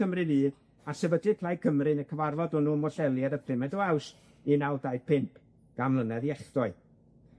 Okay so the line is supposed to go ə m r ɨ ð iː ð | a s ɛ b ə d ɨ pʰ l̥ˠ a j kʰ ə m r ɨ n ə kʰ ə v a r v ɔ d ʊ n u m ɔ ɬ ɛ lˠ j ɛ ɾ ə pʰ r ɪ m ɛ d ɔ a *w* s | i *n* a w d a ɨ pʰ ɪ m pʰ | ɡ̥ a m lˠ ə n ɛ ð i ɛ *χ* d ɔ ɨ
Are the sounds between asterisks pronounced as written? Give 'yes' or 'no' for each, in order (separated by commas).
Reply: yes, yes, yes